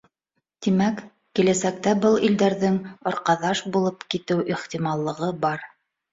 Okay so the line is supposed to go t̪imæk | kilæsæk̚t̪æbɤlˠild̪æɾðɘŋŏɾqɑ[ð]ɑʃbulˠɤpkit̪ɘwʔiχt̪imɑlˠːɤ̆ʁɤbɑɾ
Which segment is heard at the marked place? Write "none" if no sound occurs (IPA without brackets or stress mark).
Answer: ð